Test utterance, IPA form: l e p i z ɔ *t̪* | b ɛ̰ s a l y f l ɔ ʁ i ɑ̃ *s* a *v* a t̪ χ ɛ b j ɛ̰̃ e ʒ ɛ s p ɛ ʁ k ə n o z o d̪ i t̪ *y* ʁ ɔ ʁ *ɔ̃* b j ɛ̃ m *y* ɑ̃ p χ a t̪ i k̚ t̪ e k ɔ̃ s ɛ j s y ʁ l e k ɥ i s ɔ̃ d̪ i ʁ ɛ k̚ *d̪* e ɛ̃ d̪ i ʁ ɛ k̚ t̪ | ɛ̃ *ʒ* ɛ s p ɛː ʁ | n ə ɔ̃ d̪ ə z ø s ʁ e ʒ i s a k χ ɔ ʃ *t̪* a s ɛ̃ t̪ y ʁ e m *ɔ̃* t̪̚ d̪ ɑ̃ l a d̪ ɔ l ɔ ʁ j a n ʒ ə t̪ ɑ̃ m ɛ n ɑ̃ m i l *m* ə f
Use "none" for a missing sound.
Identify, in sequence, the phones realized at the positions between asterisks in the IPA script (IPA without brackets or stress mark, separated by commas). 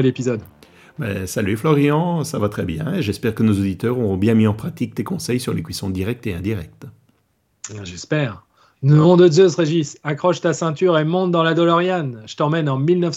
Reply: d̪, s, v, œ, ɔ̃, i, t̪, ʒ, t̪, ɔ̃, n